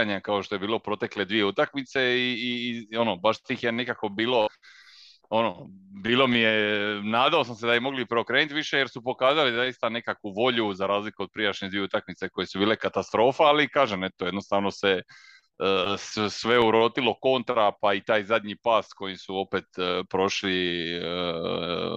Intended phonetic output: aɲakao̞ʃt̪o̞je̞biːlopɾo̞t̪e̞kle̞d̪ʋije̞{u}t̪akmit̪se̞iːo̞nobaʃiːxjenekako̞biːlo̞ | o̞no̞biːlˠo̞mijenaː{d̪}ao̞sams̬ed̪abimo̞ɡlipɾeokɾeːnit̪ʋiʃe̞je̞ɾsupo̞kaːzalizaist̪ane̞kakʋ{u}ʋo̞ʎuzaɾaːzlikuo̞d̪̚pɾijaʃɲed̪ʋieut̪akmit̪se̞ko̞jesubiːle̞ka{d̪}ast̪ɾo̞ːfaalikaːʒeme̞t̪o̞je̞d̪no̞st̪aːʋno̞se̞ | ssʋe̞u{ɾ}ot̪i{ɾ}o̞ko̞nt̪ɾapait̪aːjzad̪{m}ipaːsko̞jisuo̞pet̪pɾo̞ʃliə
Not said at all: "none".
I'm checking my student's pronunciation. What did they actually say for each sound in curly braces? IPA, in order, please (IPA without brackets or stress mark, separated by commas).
u, d̪, u, t̪, ɾ, l, ɲ